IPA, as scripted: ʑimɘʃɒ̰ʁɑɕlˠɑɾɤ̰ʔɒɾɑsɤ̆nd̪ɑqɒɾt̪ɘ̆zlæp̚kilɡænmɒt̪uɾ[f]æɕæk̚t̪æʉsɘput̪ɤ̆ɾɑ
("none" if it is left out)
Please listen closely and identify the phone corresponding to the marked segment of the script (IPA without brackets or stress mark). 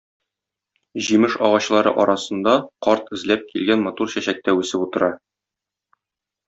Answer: ɕ